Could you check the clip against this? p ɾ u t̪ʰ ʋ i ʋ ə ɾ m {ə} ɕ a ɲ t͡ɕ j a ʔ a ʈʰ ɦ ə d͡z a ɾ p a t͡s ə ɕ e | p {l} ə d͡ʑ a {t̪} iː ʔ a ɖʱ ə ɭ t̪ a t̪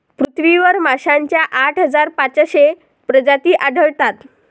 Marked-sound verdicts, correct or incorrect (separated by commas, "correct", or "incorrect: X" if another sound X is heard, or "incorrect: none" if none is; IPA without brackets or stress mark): incorrect: a, incorrect: ɾ, correct